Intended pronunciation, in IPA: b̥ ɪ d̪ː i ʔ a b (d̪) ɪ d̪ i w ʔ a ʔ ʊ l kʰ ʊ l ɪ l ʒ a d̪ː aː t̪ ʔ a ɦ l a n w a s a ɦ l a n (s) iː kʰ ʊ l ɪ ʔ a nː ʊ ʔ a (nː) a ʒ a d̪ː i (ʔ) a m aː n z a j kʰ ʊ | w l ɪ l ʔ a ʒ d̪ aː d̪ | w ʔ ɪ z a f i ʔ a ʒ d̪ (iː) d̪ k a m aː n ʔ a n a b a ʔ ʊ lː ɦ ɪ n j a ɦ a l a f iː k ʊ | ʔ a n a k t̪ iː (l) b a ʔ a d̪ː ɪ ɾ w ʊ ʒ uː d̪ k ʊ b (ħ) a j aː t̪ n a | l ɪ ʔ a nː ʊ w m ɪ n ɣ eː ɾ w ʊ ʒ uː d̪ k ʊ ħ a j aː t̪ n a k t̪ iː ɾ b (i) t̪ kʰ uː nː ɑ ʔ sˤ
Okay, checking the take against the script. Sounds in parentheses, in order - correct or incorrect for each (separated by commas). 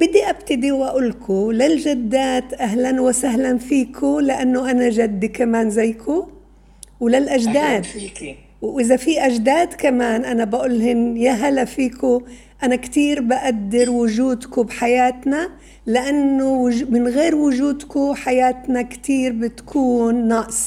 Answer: incorrect, incorrect, incorrect, incorrect, incorrect, incorrect, correct, incorrect